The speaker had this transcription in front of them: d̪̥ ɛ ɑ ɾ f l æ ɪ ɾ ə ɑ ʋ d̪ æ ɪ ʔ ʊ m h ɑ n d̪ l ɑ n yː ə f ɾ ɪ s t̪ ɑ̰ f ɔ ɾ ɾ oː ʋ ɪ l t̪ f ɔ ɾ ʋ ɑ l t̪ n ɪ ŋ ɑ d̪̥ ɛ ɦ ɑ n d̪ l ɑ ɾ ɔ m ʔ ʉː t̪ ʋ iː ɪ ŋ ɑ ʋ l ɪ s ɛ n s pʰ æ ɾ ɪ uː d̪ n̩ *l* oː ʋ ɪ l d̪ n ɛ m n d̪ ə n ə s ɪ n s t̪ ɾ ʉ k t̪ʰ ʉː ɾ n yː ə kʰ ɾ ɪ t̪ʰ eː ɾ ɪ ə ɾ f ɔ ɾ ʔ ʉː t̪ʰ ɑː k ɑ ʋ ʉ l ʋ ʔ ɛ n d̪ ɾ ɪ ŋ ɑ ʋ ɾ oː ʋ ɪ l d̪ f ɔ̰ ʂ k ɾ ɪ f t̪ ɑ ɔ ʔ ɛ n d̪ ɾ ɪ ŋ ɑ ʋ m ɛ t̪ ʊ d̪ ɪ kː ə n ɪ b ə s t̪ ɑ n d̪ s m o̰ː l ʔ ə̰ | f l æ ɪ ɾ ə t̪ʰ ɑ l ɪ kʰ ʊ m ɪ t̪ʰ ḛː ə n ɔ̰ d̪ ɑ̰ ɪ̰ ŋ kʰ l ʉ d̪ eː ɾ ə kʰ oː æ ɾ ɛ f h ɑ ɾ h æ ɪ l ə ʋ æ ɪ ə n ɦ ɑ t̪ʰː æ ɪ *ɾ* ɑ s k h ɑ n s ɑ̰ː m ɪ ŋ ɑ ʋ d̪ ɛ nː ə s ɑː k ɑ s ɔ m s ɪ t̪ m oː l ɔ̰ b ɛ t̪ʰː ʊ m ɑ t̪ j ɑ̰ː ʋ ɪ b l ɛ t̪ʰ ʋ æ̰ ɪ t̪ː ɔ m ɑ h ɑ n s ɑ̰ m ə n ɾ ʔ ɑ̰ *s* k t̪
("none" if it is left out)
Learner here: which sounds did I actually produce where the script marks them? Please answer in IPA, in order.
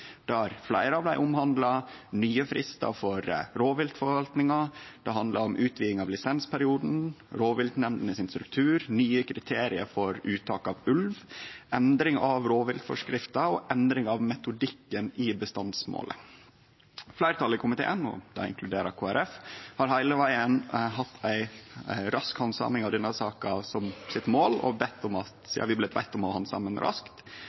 ɾ, ɾ, s

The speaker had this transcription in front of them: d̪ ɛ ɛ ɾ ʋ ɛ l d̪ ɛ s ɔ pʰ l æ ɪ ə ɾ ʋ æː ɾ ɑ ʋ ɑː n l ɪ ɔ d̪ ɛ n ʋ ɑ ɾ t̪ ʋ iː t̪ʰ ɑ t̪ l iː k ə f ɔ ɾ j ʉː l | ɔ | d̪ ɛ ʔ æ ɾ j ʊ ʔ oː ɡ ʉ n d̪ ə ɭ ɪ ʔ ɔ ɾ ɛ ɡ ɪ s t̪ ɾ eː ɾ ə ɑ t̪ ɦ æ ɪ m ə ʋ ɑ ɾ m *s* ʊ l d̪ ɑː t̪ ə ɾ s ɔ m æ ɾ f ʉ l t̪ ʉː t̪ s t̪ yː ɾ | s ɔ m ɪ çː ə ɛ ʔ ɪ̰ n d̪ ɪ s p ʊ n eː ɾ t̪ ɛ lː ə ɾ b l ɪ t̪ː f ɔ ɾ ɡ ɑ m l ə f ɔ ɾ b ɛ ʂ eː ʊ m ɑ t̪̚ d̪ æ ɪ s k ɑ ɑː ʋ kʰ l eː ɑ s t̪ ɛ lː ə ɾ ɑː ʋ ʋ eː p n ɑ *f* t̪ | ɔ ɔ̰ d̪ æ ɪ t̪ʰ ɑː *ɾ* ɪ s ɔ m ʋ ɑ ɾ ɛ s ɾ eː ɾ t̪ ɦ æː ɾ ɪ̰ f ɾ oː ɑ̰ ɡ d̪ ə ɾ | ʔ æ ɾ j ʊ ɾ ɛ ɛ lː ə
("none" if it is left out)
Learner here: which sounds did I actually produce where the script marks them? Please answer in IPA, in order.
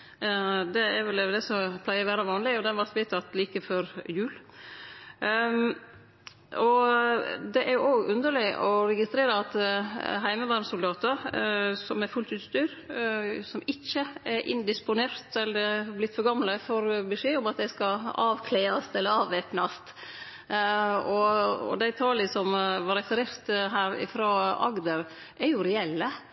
s, s, l

